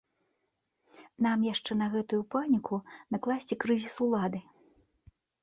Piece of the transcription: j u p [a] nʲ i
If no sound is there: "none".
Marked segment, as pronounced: a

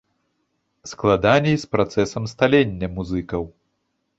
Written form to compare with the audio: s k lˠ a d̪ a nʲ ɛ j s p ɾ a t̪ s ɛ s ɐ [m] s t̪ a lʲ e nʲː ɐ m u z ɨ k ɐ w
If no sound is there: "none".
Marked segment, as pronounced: m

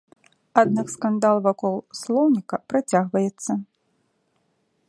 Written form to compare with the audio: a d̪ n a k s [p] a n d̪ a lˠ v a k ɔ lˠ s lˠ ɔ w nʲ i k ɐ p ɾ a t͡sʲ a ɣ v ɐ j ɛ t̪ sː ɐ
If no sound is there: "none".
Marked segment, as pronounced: k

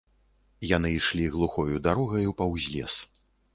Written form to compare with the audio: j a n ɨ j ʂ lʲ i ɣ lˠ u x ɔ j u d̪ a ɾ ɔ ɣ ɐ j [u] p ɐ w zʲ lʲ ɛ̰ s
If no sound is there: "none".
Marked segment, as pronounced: u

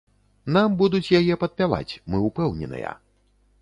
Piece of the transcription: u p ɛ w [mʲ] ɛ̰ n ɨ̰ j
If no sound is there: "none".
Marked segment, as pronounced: nʲ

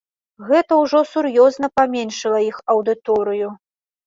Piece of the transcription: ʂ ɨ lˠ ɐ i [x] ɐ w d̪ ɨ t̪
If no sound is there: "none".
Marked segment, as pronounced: x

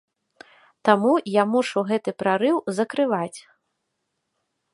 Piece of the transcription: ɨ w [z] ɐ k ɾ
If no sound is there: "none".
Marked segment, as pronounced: z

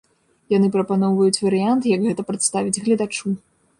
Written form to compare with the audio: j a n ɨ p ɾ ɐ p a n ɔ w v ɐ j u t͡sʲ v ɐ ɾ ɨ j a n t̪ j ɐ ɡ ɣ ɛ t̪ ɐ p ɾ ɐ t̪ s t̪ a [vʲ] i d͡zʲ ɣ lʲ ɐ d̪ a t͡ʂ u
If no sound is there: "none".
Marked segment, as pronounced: vʲ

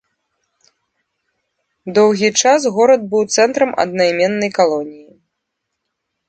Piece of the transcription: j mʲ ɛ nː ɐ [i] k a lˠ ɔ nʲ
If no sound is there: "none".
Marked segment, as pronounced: j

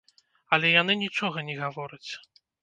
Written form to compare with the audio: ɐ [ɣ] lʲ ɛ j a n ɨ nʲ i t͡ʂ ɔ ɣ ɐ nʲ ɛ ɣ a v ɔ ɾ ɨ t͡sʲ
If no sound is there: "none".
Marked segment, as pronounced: none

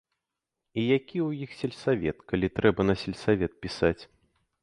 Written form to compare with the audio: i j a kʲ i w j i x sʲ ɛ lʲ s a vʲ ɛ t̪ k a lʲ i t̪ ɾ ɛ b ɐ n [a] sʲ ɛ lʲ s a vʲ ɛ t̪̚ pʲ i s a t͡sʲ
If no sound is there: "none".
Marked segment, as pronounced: ɐ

